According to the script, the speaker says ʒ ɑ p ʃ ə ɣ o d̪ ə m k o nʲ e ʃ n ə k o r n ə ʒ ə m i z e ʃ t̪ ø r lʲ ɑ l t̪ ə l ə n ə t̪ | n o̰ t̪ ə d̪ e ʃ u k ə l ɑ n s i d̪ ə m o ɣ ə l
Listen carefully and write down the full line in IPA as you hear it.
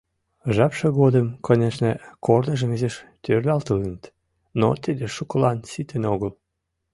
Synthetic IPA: ʒ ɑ p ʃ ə ɣ o d̪ ə m k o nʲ e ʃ n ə k o r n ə ʒ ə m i z e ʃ t̪ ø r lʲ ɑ l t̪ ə l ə n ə t̪ | n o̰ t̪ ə d̪ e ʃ u k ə l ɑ n s i t̪ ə n o ɣ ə l